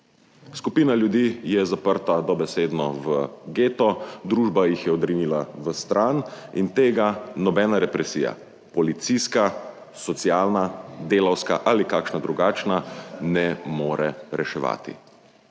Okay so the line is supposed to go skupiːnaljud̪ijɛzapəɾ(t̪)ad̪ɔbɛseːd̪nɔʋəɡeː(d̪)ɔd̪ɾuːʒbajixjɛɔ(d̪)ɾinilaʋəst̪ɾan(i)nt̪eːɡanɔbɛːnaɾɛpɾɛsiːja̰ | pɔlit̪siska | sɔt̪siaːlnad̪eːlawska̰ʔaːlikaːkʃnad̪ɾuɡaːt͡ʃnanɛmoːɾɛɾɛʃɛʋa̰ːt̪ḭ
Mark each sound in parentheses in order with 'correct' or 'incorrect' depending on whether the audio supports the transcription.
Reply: correct, incorrect, correct, correct

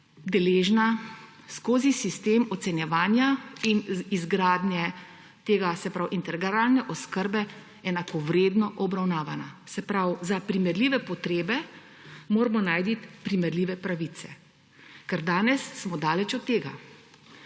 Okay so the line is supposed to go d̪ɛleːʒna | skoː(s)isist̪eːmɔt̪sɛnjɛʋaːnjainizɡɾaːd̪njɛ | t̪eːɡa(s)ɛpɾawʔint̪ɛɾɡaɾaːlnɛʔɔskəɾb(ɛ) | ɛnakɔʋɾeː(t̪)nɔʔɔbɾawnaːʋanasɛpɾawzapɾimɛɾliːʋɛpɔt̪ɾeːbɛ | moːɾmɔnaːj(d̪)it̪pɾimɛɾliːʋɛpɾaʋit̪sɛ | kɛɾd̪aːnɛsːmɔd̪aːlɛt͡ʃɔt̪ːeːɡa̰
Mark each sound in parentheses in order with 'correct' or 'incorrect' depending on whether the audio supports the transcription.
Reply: incorrect, correct, correct, incorrect, correct

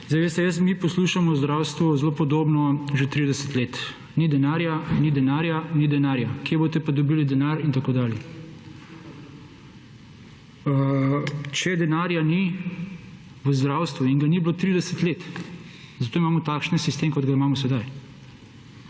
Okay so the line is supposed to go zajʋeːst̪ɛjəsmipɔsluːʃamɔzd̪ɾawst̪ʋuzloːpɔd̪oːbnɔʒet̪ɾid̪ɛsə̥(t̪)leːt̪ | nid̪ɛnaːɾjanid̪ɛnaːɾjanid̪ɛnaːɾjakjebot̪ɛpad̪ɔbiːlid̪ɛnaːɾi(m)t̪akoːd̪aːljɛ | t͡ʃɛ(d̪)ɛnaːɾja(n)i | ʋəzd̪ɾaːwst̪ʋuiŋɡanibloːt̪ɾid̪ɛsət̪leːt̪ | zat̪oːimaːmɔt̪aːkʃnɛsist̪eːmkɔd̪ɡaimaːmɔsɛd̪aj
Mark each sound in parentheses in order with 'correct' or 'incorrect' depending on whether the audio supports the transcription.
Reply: correct, incorrect, correct, correct

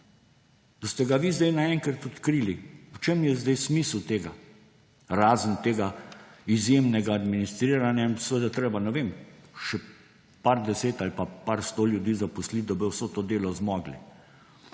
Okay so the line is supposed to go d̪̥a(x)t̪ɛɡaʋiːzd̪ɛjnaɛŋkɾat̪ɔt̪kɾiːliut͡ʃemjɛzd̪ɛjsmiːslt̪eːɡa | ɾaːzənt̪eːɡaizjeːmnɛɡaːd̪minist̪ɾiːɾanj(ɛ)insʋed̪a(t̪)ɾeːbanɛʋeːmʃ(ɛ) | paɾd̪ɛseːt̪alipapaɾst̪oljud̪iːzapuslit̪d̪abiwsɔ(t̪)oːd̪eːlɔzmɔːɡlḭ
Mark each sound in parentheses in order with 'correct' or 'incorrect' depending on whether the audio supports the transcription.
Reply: incorrect, incorrect, correct, correct, correct

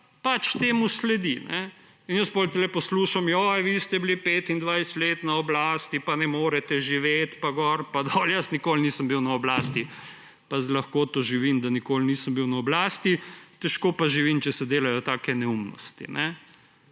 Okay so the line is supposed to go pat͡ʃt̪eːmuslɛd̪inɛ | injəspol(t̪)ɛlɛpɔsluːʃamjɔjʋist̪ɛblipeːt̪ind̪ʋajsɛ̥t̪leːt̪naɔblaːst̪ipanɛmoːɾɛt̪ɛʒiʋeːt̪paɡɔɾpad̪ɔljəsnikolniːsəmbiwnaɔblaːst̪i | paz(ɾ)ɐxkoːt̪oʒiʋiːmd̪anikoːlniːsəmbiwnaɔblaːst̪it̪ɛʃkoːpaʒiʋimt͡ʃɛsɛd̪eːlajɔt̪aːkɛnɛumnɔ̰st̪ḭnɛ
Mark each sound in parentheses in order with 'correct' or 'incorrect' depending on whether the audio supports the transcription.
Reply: correct, incorrect

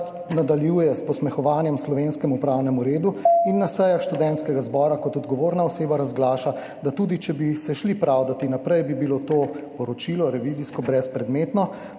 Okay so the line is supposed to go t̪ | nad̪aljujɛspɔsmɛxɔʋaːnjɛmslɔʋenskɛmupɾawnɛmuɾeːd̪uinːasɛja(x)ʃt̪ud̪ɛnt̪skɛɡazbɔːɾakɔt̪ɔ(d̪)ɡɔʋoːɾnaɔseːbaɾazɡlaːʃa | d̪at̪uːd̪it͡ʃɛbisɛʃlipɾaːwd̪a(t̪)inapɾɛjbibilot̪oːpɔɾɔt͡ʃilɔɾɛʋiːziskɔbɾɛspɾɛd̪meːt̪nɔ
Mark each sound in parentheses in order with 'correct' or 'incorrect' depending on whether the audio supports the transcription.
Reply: correct, correct, correct

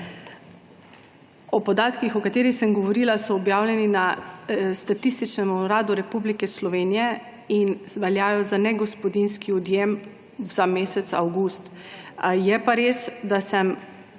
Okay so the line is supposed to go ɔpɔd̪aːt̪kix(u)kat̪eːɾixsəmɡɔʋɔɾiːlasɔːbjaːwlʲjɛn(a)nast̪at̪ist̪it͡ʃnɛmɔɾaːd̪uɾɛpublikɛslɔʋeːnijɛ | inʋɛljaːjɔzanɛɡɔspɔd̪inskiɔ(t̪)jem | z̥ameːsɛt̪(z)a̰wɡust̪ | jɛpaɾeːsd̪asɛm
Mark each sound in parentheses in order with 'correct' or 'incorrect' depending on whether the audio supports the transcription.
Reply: incorrect, incorrect, incorrect, incorrect

